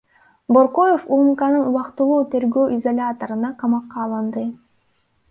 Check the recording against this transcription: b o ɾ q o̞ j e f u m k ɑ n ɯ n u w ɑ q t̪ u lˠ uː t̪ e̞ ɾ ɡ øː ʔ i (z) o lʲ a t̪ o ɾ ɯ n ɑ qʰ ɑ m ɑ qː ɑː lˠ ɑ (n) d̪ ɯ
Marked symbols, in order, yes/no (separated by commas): yes, yes